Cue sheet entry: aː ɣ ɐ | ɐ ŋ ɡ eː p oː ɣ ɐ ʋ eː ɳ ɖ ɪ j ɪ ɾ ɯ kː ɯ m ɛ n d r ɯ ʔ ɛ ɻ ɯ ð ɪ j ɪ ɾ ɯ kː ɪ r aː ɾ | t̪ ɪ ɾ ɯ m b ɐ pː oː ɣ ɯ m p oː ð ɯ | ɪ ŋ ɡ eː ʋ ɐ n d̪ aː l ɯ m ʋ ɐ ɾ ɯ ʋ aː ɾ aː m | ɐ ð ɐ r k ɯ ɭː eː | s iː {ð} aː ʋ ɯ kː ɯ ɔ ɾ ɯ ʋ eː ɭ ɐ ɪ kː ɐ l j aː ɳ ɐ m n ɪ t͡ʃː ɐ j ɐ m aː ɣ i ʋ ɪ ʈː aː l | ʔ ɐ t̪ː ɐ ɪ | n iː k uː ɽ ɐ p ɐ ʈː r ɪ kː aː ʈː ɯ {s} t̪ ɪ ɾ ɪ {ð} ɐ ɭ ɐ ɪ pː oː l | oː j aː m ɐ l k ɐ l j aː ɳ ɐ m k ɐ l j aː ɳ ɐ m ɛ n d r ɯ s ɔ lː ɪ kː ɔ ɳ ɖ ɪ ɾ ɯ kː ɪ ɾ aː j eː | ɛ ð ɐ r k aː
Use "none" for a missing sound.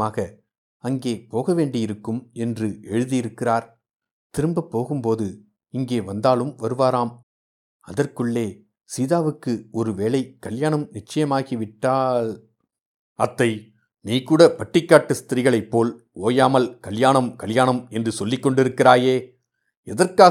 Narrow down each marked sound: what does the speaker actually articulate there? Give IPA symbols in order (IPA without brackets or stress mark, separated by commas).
ð, s, ɣ